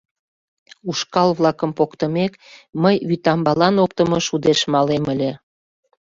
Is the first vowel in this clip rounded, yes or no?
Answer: yes